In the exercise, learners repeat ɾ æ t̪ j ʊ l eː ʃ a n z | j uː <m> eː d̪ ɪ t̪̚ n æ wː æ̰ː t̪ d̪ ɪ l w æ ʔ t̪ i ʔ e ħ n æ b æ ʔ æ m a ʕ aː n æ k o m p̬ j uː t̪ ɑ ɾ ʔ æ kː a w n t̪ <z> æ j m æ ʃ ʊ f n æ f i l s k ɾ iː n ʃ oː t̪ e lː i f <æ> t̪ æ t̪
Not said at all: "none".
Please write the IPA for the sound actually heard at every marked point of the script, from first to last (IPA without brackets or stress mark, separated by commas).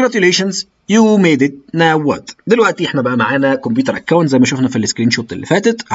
m, z, æː